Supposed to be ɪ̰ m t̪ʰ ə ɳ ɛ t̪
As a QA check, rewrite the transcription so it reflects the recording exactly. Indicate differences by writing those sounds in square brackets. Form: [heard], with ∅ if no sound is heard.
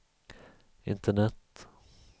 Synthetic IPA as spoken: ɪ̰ [n] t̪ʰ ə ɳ ɛ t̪